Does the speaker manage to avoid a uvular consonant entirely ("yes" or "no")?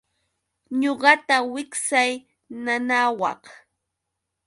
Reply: no